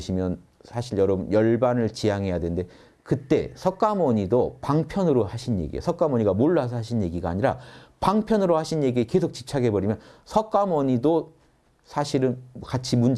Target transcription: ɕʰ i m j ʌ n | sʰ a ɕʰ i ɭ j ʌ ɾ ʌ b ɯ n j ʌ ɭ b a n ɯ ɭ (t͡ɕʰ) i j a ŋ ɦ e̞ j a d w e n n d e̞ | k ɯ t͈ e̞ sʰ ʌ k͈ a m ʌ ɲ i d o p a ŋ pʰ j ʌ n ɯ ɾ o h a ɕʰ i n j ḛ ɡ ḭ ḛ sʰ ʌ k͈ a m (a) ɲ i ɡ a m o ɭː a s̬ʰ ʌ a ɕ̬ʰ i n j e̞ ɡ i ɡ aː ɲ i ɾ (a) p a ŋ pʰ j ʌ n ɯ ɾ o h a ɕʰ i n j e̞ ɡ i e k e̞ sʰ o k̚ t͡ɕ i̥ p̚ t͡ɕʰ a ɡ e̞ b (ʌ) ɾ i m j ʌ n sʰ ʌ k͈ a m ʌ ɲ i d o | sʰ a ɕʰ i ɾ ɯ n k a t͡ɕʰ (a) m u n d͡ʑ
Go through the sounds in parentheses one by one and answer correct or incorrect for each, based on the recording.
incorrect, incorrect, correct, correct, incorrect

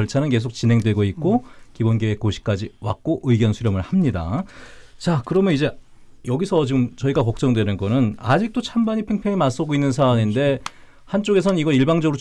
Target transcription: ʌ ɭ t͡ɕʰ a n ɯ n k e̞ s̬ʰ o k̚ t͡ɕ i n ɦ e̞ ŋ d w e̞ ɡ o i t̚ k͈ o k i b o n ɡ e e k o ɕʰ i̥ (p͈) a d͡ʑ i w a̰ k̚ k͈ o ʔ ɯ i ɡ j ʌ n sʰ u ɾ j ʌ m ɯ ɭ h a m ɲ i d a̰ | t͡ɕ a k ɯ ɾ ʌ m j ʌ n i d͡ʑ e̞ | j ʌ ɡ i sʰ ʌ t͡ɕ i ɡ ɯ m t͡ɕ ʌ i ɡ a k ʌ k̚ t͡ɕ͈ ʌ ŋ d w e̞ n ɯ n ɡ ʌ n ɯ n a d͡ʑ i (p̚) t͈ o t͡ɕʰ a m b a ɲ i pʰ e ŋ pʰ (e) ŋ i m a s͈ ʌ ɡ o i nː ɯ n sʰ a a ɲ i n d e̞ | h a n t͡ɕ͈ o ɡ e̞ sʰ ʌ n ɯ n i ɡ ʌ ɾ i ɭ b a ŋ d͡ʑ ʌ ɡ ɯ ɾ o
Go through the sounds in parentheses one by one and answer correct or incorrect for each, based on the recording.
incorrect, incorrect, correct

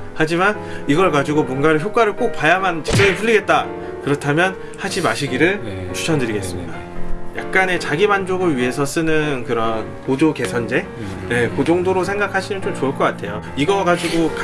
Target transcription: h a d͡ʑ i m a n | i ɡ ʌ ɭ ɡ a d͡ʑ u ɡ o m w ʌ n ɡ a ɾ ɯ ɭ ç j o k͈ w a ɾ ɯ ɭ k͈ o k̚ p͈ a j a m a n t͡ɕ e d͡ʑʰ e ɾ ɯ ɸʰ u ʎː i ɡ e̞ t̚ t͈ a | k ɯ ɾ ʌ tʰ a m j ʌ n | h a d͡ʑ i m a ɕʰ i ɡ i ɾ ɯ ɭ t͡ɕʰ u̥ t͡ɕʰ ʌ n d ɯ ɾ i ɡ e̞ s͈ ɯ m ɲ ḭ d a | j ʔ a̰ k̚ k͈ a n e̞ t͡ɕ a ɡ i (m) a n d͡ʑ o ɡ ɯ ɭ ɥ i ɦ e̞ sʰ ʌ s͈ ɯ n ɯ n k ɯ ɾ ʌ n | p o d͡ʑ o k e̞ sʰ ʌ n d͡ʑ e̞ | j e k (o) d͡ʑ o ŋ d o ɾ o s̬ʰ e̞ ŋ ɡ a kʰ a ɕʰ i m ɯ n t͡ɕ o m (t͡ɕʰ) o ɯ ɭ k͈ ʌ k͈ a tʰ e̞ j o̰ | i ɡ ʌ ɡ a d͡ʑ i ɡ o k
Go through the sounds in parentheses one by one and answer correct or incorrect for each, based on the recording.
correct, correct, incorrect

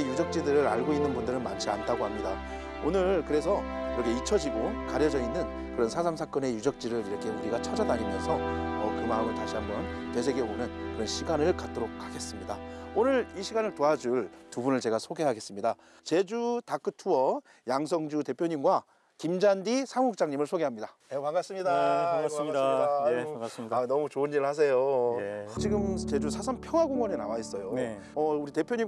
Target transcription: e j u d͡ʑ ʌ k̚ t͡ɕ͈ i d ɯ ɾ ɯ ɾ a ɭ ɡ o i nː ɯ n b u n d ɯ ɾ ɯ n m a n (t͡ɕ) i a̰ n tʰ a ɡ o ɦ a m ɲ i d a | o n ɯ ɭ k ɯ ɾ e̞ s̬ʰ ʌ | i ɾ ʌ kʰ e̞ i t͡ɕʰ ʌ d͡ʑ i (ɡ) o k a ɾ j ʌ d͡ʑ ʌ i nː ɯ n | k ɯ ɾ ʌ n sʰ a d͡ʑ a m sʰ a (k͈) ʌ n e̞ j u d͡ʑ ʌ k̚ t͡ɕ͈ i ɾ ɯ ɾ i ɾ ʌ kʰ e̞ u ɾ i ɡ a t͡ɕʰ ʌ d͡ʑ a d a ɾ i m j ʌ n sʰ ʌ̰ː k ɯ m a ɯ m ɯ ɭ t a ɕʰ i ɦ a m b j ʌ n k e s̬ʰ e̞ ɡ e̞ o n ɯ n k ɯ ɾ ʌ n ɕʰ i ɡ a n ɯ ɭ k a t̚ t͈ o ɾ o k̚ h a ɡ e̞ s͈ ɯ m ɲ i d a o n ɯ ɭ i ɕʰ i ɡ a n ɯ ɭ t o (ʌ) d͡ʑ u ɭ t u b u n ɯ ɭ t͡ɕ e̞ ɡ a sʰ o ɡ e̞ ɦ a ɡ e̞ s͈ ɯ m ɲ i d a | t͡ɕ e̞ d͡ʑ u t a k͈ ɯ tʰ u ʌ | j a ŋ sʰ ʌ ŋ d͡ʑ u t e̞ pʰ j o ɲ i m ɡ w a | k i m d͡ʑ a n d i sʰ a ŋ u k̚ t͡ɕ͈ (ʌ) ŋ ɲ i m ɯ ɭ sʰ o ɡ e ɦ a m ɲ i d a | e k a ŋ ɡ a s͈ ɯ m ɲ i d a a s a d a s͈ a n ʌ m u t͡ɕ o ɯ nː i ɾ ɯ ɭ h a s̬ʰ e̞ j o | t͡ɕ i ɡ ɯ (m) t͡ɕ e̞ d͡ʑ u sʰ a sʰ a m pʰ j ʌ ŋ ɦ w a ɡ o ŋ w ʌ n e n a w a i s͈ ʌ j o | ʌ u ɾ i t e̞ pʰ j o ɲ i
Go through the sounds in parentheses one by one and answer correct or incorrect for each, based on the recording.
incorrect, correct, correct, incorrect, incorrect, correct

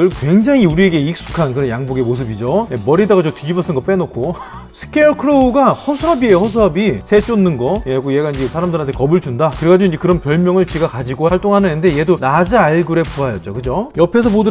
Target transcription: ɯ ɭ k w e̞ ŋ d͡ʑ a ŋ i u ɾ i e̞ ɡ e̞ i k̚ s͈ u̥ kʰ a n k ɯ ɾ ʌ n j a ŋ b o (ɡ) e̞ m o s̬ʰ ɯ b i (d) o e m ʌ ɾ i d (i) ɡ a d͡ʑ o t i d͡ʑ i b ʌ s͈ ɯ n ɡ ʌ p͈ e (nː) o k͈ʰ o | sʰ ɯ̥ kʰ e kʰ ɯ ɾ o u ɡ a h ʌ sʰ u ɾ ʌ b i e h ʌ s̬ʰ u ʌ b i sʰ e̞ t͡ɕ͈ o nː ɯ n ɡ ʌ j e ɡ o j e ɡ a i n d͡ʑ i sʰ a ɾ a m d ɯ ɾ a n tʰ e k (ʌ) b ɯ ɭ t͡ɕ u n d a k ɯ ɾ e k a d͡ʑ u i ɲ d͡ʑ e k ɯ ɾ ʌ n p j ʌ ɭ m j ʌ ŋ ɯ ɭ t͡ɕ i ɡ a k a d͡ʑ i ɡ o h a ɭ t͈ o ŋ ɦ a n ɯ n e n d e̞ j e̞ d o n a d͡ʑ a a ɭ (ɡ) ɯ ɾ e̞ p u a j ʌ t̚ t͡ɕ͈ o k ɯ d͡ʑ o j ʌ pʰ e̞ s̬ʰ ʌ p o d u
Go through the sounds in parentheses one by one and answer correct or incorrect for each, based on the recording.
correct, incorrect, incorrect, incorrect, correct, correct

